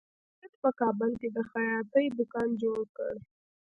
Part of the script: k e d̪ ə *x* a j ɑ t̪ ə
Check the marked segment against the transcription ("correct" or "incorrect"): correct